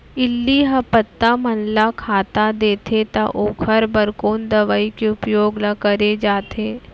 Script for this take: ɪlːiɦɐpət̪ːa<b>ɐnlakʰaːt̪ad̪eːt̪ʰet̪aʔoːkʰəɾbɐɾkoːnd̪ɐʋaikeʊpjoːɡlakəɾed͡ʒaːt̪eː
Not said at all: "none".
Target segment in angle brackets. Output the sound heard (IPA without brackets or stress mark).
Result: m